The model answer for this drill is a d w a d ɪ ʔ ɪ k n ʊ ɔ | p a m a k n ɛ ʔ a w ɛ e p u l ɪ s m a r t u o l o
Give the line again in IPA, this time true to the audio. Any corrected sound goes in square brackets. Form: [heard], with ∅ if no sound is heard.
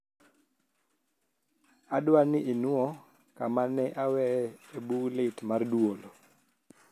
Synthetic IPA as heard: a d w a [n] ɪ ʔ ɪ [∅] n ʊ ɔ | [k] a m a [∅] n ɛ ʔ a w ɛ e [b] u l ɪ [t] m a r [d] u o l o

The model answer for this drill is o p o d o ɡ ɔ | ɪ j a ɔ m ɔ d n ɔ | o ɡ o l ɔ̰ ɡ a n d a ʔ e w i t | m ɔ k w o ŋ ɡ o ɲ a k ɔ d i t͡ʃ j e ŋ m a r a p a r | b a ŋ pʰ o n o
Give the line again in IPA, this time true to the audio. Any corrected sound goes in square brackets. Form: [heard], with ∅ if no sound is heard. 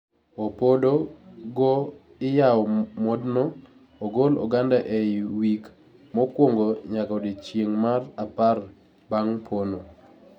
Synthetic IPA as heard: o p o d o ɡ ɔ | ɪ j a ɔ m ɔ d n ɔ | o ɡ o l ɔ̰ ɡ a n d a ʔ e w i [k] | m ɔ k w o ŋ ɡ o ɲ a k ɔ d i t͡ʃ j e ŋ m a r a p a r | b a ŋ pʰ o n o

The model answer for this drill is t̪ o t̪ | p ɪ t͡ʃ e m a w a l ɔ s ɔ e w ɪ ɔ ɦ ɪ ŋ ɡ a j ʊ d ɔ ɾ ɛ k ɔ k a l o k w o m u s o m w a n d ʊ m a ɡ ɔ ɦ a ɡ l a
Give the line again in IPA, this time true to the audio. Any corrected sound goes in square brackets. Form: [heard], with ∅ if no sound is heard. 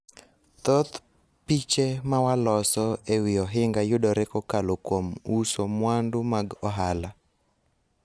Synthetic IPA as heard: t̪ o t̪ | p [i] t͡ʃ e m a w a l ɔ s ɔ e w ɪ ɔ ɦ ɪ ŋ ɡ a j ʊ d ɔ ɾ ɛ k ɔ k a l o k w o m u s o m w a n d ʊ m a ɡ ɔ ɦ a [∅] l a

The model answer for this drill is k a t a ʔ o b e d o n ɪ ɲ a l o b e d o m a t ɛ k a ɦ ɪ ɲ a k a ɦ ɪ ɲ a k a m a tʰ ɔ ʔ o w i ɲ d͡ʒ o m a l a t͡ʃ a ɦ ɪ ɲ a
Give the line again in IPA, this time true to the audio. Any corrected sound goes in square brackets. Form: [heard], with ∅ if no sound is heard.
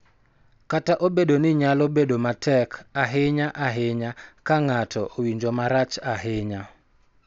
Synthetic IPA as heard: k a t a ʔ o b e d o n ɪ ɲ a l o b e d o m a t ɛ k a ɦ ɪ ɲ a [ʔ] a ɦ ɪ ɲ a k a [ŋ] a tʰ ɔ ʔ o w i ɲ d͡ʒ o m a [ɾ] a t͡ʃ a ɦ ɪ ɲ a

